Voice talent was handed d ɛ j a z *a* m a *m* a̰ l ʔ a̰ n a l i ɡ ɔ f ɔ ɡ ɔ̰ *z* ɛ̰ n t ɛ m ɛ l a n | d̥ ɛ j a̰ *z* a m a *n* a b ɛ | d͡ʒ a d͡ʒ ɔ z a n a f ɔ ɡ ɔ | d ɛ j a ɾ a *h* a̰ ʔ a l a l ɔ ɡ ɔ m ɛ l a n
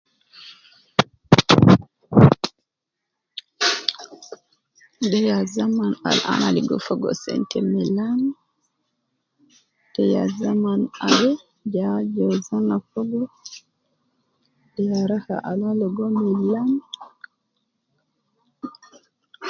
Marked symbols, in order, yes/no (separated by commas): yes, no, no, yes, yes, yes